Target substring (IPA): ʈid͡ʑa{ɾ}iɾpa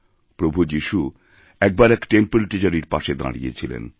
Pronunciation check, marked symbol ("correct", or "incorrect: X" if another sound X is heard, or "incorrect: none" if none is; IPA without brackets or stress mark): correct